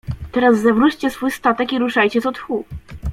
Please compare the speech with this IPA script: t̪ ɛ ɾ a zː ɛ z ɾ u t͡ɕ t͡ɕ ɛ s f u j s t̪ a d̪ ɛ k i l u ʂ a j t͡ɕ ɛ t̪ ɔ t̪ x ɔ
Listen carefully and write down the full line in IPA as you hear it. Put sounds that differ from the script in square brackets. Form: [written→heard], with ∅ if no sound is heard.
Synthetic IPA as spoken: t̪ ɛ ɾ a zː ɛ [z→v] ɾ u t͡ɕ t͡ɕ ɛ s f u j s t̪ a [d̪→t̪] ɛ k i [l→ɾ] u ʂ a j t͡ɕ ɛ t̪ ɔ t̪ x [ɔ→u]